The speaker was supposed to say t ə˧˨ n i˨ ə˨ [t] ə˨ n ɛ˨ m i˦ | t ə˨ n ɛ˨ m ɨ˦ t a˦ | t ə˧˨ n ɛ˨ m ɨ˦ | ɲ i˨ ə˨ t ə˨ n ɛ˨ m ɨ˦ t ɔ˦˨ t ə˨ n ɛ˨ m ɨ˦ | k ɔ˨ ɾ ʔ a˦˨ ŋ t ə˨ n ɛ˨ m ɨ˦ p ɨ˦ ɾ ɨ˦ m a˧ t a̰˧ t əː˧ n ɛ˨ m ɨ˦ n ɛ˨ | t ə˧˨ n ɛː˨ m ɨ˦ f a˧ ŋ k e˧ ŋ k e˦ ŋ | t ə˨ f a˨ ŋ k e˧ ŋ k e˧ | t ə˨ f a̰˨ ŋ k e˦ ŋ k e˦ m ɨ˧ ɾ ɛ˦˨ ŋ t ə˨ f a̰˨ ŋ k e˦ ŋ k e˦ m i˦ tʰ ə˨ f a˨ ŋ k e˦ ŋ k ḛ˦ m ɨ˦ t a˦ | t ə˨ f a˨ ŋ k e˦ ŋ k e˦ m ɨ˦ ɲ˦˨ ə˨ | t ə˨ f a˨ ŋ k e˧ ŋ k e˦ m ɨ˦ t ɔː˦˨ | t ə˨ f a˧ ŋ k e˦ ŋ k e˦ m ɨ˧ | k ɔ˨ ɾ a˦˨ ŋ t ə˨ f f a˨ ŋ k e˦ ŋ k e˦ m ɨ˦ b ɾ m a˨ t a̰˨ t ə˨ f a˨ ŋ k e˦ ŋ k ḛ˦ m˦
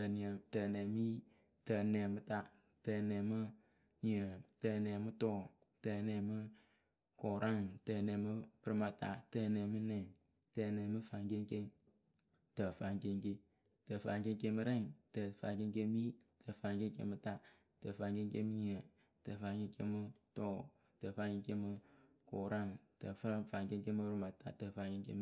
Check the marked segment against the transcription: correct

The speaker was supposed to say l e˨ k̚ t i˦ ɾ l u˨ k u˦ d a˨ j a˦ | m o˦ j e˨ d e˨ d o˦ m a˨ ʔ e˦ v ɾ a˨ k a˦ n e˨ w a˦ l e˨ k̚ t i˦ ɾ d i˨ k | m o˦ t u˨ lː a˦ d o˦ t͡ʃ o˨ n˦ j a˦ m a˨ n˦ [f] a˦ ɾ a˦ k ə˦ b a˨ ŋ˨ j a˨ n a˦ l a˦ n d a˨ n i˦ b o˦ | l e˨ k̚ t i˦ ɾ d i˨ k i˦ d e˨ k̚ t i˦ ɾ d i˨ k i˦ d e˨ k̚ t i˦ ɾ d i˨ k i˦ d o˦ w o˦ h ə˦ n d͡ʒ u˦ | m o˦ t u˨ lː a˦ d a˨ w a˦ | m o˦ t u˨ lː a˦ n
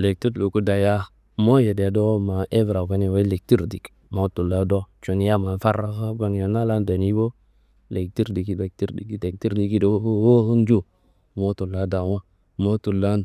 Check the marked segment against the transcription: correct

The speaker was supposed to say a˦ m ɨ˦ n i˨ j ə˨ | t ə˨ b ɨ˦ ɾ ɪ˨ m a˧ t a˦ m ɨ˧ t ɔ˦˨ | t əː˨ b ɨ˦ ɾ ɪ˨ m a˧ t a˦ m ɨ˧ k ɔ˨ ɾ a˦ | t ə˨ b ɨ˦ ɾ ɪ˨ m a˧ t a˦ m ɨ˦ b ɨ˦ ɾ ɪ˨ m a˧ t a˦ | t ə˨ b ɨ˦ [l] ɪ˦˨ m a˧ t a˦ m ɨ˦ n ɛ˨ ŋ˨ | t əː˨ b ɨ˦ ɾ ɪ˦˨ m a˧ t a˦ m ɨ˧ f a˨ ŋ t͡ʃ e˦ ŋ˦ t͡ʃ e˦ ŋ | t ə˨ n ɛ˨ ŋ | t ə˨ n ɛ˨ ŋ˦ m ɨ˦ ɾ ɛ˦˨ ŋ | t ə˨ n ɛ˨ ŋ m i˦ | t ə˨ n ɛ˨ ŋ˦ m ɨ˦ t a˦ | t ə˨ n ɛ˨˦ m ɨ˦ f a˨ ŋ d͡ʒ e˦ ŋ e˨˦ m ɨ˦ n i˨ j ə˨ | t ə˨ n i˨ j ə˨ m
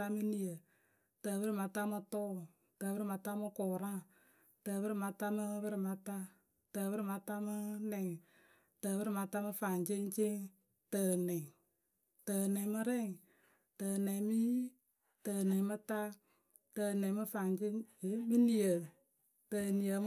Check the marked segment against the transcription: incorrect: ɾ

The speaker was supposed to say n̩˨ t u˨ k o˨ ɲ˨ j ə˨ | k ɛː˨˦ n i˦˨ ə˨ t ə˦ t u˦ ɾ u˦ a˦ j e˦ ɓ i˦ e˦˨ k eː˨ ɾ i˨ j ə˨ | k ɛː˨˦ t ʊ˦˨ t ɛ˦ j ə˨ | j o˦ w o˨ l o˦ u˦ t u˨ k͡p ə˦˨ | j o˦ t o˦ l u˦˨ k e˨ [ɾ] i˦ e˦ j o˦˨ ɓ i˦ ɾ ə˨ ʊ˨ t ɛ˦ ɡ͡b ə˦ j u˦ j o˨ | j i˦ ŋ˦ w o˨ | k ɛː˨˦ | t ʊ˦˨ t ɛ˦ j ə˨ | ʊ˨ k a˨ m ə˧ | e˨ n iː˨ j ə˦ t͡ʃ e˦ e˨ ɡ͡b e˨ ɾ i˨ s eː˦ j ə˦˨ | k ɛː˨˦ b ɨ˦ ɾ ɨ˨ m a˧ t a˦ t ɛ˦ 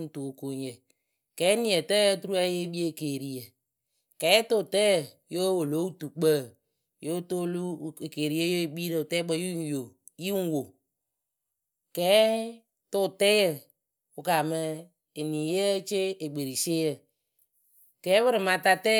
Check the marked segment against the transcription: correct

